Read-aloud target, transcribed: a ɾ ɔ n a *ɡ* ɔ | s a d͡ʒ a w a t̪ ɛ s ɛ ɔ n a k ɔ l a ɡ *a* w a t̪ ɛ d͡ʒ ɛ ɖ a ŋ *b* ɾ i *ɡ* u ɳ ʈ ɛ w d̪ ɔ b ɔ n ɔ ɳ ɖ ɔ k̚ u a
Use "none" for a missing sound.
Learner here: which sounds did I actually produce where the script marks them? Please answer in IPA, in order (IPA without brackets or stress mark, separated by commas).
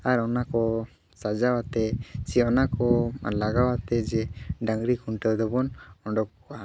k, a, ɡ, k